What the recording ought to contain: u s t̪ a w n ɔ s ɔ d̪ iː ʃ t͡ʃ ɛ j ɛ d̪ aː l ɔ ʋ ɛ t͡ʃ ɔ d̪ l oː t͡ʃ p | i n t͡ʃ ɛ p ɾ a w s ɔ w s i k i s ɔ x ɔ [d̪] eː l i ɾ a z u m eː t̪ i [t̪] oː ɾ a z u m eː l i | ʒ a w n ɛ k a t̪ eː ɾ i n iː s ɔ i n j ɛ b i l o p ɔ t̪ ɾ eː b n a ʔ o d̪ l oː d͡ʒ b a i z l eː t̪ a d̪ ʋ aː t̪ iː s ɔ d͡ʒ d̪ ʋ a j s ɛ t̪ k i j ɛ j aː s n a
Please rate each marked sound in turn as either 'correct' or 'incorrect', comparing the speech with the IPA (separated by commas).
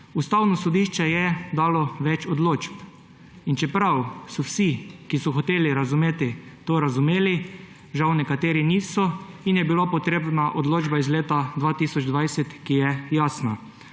incorrect, correct